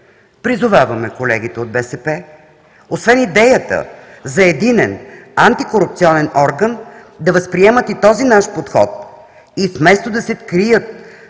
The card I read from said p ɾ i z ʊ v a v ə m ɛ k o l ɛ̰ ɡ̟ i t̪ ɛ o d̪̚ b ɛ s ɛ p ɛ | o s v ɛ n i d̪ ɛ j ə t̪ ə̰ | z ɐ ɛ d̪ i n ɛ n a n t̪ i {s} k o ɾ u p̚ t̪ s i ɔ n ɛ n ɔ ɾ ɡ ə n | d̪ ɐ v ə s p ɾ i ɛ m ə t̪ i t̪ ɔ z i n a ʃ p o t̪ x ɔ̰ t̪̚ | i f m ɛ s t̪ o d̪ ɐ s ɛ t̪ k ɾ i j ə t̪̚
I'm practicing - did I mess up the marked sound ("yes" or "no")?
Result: yes